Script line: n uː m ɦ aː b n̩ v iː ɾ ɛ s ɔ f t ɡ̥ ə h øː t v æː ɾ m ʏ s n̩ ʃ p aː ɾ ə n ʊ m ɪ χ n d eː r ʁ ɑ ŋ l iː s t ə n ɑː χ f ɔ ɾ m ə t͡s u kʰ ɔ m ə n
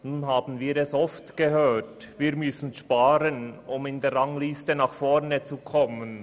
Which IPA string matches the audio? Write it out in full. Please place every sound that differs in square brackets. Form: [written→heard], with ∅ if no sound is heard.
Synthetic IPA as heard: n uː [m→n] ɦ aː b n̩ v iː ɾ ɛ s ɔ f t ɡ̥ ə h øː t v [æː→iː] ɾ m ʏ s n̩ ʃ p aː ɾ ə n ʊ m ɪ [χ→∅] n d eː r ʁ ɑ ŋ l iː s t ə n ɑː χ f ɔ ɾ [m→n] ə t͡s u kʰ ɔ m ə n